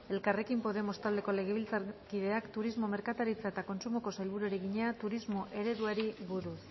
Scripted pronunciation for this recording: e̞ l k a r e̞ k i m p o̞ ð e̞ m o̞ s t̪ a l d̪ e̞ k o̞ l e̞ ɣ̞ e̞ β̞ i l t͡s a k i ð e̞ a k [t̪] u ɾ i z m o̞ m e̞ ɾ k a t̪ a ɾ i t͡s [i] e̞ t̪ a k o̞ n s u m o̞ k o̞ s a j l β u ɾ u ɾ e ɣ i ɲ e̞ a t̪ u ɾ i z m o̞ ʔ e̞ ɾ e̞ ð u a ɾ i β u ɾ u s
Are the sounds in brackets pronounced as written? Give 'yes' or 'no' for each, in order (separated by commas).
yes, no